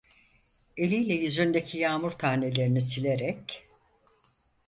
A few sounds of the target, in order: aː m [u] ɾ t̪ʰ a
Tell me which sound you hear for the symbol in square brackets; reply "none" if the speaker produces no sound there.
u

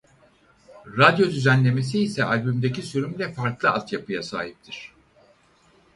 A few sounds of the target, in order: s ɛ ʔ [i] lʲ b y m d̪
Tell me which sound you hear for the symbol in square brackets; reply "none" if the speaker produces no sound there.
a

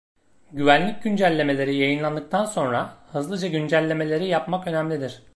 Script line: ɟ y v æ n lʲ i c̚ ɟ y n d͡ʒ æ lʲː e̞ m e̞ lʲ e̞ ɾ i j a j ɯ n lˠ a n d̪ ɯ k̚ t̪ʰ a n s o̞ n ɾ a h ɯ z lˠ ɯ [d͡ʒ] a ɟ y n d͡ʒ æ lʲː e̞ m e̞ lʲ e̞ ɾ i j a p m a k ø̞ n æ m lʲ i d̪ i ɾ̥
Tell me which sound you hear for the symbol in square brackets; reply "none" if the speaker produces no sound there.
d͡ʒ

